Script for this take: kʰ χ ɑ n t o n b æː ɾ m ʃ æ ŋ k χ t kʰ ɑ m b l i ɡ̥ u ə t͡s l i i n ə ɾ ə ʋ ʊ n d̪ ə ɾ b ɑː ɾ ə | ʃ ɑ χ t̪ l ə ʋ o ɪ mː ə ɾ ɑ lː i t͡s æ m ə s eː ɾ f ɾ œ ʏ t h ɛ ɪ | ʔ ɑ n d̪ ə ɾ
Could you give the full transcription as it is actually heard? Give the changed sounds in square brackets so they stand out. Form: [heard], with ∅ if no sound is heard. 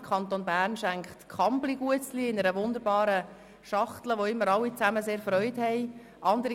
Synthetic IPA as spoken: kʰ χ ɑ n t o n b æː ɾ [n] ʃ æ ŋ k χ t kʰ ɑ m b l i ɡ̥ u ə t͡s l i [ɪ] n ə ɾ ə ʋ ʊ n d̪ ə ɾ b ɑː ɾ ə | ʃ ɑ χ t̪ l ə ʋ o ɪ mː ə ɾ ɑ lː i t͡s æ m ə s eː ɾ f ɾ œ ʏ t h ɛ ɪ | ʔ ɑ n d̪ ə ɾ